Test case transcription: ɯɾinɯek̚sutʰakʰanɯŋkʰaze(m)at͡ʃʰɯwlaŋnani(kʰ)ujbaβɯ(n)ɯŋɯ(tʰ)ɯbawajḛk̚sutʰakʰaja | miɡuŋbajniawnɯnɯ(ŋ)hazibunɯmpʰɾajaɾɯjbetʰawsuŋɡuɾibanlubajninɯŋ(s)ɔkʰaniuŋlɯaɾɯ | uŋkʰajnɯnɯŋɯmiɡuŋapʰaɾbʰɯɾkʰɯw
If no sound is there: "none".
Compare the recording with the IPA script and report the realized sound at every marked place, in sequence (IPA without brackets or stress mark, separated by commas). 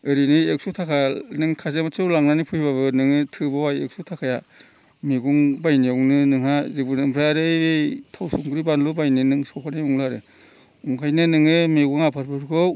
m, pʰ, n, tʰ, ŋ, s